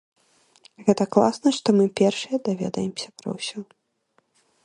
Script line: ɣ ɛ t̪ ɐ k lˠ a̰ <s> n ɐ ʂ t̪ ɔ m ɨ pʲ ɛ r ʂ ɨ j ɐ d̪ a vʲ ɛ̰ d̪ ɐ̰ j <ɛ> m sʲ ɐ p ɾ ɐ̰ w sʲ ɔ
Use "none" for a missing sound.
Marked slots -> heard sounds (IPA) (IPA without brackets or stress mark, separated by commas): s, ɛ